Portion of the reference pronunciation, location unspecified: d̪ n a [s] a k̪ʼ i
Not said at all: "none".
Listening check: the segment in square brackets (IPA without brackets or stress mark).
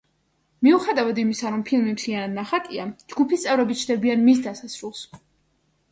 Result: χ